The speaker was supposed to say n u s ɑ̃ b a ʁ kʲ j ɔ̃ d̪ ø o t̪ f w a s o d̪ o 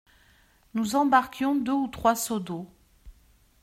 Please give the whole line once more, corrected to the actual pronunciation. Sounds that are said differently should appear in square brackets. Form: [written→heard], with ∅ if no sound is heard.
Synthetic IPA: n u [s→z] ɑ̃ b a ʁ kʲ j ɔ̃ d̪ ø [o→u] t̪ [f→χ] w a s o d̪ o